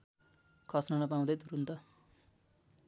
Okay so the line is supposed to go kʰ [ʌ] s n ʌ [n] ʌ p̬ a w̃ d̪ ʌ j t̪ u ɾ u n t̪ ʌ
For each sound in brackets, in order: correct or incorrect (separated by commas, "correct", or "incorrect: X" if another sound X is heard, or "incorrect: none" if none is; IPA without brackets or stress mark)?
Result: correct, correct